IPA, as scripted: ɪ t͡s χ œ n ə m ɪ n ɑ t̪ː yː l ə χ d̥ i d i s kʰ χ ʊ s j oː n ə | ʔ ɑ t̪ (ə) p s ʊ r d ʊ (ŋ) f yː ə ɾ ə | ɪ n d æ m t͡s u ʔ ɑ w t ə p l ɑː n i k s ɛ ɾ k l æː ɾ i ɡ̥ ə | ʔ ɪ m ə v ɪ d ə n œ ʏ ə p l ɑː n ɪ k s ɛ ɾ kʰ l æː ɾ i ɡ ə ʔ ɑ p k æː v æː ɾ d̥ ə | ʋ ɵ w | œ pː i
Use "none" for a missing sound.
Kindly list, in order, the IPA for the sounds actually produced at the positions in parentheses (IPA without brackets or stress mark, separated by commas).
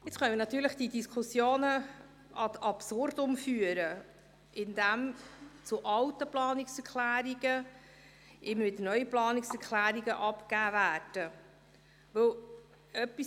ɑ, m